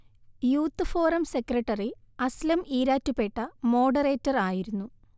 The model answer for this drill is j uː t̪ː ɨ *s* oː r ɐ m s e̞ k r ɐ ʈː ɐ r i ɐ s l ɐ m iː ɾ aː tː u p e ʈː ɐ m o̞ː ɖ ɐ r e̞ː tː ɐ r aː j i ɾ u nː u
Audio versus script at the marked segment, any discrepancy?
yes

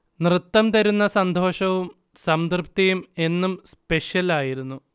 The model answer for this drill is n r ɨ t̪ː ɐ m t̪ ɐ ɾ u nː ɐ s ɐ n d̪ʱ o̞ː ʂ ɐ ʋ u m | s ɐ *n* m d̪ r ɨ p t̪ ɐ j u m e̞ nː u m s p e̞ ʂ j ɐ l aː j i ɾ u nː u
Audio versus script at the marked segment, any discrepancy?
yes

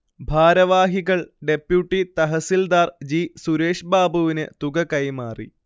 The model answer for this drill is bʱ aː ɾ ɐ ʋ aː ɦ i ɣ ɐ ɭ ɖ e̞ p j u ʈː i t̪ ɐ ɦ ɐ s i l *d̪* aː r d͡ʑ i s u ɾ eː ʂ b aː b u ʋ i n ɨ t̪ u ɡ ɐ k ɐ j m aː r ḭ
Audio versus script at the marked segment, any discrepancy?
no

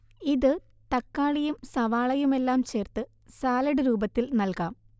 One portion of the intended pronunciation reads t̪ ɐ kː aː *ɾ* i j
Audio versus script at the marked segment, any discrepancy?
yes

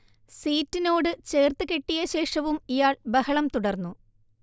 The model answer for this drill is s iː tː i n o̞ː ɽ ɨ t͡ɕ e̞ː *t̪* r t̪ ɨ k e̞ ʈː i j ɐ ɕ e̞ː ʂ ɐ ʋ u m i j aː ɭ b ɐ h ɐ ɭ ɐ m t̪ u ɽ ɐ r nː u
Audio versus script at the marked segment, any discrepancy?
yes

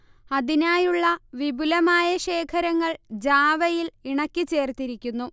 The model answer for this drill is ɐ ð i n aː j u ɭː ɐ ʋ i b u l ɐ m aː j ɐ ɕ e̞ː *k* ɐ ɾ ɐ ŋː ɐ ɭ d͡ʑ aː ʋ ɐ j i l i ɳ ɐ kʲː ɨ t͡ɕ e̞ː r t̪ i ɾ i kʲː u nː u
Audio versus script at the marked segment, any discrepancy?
yes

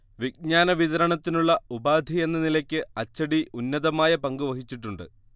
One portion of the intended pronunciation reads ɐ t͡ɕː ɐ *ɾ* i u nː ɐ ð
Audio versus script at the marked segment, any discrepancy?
yes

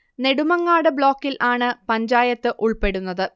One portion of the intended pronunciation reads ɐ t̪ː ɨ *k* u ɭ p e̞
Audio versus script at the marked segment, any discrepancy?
yes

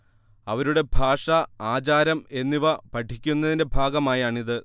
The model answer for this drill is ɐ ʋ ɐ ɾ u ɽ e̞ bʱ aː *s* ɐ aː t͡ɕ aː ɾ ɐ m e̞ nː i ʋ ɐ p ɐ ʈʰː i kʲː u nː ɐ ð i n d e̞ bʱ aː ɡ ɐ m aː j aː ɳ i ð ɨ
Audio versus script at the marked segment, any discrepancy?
yes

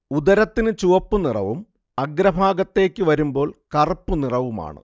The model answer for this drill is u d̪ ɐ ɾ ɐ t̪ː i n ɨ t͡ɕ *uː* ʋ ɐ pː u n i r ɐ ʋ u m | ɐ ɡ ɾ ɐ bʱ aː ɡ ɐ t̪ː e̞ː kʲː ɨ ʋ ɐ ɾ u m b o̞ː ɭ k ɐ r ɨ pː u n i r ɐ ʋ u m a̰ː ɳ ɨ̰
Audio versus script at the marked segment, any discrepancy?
yes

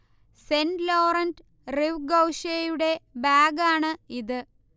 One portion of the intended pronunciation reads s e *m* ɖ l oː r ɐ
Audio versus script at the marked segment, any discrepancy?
yes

